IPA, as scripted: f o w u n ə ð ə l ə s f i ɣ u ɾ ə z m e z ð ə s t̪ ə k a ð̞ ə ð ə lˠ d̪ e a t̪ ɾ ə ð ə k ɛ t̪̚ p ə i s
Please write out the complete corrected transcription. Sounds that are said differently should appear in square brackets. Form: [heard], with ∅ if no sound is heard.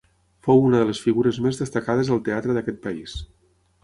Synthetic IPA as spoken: f o w u n ə ð ə l ə s f i ɣ u ɾ ə z m e z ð ə s t̪ ə k a ð̞ ə [z] ə lˠ [t̪] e a t̪ ɾ ə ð ə k ɛ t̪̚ p ə i s